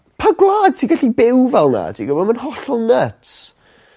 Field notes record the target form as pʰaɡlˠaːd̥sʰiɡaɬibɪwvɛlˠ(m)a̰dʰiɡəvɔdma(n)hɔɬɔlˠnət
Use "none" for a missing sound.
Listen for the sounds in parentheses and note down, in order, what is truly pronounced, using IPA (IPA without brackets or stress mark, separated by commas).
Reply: n, n